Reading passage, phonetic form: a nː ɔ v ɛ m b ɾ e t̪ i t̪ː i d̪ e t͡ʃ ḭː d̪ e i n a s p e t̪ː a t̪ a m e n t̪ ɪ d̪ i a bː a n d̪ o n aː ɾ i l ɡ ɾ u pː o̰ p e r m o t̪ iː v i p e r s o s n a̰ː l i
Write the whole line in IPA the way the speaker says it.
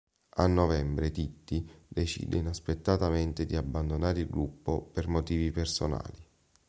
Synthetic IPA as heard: a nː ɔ v ɛ m b ɾ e t̪ i t̪ː i d̪ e t͡ʃ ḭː d̪ e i n a s p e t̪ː a t̪ a m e n t̪ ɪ d̪ i a bː a n d̪ o n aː ɾ i l ɡ ɾ u pː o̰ p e r m o t̪ iː v i p e r s o n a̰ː l i